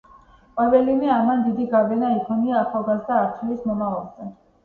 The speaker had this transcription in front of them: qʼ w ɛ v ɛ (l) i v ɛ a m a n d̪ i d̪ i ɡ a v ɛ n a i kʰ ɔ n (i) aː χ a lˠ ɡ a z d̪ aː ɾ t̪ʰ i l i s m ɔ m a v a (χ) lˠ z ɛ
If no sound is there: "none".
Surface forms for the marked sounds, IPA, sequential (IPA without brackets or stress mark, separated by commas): l, i, none